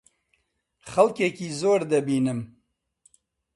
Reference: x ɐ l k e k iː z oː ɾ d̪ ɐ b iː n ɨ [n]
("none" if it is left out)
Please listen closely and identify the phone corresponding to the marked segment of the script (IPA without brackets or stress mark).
m